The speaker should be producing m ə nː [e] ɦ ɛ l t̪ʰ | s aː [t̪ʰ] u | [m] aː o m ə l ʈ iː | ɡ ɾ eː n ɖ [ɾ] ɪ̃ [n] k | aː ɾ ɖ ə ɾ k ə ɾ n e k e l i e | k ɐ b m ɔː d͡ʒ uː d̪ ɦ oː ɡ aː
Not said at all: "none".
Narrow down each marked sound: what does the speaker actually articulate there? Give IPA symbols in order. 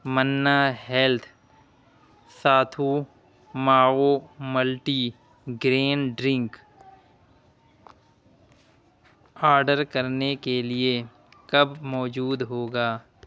a, t̪ʰ, m, ɾ, ŋ

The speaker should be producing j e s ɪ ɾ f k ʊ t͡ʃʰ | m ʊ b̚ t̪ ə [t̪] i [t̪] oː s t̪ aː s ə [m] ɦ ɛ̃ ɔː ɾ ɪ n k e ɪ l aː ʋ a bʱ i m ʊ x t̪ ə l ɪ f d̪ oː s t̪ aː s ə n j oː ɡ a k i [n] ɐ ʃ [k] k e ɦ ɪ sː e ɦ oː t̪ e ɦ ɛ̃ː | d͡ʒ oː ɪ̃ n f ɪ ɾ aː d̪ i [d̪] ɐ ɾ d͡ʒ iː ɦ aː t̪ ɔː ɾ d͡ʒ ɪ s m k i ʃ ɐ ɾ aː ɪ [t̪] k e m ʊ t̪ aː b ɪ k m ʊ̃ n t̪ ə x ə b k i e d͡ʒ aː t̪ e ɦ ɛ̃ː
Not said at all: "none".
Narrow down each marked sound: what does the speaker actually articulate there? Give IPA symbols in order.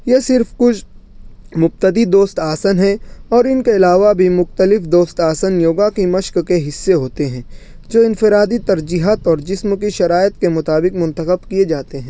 d̪, d̪, n, m, k, t̪, t̪

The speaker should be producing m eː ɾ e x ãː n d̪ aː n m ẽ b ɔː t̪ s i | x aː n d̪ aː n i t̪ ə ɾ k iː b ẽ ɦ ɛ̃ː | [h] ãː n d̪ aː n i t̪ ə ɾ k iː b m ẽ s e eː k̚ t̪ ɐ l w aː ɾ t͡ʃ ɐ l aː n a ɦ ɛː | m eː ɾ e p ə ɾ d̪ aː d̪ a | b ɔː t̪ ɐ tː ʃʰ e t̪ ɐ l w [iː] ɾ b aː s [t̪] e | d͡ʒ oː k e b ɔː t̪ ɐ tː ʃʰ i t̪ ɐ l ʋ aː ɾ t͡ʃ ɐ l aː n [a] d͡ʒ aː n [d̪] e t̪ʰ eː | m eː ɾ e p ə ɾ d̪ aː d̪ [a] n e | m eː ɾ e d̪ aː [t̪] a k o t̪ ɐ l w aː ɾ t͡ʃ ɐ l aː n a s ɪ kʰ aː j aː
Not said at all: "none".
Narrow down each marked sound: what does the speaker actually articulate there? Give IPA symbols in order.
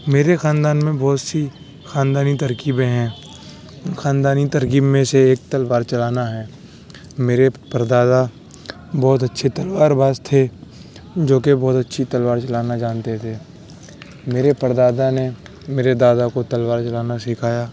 x, aː, t̪ʰ, a, t̪, a, d̪

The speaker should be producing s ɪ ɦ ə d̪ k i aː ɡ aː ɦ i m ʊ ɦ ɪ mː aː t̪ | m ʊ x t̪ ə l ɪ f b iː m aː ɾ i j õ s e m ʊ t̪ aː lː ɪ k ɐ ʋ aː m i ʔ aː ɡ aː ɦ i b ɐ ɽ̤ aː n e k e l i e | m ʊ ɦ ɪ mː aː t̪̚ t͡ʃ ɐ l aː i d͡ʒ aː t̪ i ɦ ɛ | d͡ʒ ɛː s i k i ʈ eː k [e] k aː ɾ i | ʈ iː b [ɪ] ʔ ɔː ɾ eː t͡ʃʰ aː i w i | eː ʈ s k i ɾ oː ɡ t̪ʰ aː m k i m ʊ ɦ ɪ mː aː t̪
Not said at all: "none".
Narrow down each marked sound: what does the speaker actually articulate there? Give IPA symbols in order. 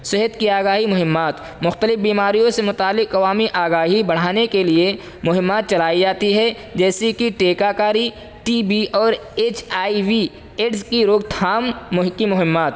a, i

